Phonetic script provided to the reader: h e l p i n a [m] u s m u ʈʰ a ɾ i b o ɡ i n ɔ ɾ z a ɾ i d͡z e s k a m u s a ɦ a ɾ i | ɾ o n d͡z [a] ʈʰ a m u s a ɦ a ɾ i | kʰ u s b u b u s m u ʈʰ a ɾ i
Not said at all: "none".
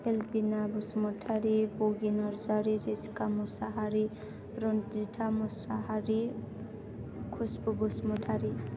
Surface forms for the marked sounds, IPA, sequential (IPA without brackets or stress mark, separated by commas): b, i